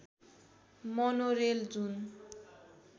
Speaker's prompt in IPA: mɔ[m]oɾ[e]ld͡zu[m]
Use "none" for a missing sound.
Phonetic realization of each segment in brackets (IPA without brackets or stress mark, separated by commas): n, e, n